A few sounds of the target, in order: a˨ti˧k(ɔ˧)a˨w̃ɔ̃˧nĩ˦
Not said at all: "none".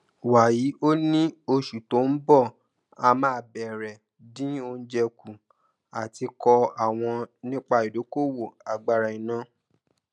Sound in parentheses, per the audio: ɔ˧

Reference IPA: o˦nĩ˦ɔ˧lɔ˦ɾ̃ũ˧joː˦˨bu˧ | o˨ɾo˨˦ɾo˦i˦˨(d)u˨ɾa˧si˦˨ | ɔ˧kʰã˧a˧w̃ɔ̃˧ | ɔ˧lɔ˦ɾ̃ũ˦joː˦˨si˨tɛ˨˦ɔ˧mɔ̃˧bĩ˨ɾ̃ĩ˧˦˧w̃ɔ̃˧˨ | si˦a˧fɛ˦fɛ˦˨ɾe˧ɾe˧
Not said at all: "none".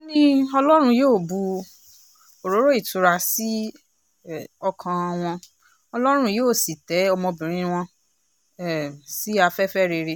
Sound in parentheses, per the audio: t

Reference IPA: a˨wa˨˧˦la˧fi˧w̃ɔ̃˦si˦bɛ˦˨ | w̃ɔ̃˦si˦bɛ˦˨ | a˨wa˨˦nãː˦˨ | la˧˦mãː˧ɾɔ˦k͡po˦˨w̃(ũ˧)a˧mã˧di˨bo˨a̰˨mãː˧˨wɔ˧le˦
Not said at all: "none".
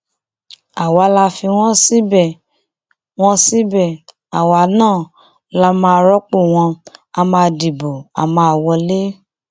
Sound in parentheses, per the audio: ɔ̃˧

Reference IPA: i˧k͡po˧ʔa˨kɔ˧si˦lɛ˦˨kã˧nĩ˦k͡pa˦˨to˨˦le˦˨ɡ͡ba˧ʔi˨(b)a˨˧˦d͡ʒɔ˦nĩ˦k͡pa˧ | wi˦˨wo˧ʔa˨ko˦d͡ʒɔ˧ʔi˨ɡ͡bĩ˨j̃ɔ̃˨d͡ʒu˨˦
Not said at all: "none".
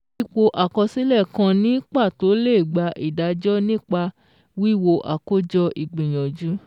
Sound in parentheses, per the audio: d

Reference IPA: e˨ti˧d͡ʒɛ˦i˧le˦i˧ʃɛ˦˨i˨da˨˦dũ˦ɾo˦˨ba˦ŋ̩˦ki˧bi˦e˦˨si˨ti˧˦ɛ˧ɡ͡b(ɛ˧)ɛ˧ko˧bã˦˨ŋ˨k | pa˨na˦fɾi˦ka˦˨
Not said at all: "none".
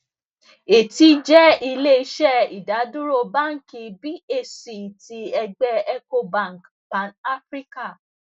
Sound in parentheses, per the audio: ɛ˧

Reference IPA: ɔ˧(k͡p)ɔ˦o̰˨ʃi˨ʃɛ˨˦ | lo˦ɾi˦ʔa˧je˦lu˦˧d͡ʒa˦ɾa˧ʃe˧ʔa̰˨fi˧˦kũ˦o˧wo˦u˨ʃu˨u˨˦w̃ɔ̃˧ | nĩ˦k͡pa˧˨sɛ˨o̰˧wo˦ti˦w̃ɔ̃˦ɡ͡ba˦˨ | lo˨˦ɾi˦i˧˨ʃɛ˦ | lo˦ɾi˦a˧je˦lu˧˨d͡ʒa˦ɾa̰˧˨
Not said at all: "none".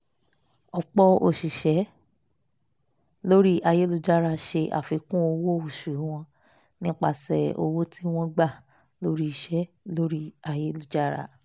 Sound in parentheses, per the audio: k͡p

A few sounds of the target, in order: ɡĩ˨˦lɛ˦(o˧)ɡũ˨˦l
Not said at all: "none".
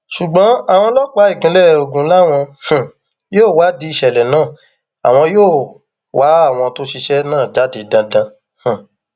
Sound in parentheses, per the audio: o˧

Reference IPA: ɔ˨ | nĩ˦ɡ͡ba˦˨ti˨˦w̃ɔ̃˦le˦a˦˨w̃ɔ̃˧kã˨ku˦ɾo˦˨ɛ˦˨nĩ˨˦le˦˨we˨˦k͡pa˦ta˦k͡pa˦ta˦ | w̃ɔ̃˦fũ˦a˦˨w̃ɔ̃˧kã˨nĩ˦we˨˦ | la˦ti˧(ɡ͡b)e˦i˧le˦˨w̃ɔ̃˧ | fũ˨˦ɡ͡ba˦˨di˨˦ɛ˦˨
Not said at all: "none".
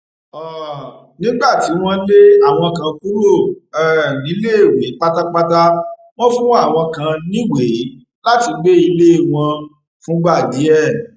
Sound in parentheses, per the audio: ɡ͡b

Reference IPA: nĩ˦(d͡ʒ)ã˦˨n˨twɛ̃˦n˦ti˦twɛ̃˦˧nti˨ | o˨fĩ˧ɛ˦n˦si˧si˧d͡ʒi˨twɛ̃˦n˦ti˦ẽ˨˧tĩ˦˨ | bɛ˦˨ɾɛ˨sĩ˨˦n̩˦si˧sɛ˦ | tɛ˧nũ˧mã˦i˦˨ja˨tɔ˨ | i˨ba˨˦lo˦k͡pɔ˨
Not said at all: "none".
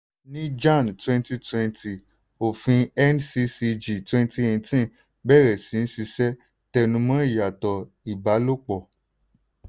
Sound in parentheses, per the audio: d͡ʒ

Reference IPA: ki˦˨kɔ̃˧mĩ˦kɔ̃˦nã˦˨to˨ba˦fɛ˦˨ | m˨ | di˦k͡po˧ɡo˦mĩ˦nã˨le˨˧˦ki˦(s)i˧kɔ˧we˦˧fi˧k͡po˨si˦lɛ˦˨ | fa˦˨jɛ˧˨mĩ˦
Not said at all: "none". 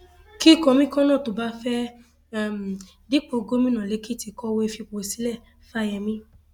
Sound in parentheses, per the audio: t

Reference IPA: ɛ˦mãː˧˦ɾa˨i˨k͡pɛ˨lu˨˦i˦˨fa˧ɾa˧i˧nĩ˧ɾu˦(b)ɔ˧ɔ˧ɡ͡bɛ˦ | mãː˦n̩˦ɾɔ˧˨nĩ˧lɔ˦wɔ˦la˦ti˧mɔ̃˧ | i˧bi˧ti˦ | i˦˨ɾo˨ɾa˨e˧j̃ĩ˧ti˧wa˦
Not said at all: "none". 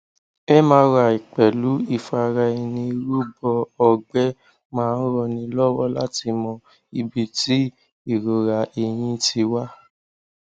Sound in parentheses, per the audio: b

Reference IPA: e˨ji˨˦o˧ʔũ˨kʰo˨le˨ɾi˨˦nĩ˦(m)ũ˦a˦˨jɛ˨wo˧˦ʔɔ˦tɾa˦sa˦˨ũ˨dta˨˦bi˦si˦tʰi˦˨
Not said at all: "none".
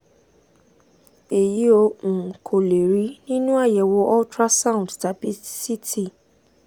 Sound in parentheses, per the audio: n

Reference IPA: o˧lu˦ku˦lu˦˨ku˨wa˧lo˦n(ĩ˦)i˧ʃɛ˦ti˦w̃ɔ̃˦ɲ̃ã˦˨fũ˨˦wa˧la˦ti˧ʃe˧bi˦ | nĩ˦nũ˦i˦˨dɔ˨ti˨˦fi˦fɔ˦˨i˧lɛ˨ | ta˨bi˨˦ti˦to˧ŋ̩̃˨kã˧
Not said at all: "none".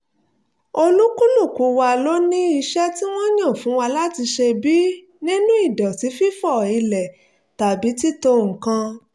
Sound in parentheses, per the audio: ĩ˦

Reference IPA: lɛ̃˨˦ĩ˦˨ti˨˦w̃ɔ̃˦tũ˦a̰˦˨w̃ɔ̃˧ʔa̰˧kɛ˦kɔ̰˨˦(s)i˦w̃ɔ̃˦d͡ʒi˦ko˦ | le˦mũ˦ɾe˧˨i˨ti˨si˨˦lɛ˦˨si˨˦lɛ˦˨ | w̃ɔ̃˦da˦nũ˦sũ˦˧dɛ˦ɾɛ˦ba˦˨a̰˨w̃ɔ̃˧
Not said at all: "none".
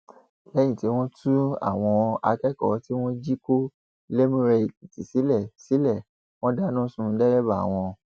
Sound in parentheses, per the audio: t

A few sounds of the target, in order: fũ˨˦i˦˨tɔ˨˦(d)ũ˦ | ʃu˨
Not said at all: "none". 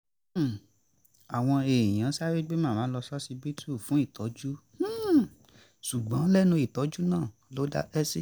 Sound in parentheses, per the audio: d͡ʒ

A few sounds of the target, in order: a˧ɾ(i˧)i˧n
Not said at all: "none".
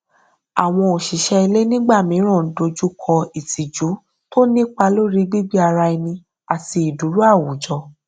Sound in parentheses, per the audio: a˧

